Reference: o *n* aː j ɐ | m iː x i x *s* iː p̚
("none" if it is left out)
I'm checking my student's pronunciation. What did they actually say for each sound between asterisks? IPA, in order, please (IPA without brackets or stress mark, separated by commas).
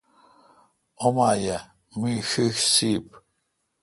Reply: m, s